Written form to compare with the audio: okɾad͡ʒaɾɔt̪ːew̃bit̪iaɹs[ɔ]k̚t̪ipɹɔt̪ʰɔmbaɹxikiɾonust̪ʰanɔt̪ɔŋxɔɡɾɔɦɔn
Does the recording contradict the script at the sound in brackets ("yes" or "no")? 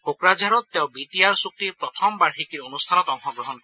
yes